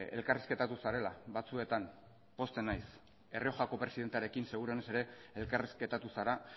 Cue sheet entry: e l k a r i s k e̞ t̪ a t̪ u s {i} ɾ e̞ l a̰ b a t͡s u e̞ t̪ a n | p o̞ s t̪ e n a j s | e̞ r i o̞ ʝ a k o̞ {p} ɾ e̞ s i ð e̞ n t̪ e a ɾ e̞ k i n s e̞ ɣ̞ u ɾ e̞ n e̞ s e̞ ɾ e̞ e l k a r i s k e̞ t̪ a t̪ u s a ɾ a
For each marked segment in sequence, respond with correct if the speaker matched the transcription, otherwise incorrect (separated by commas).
incorrect, correct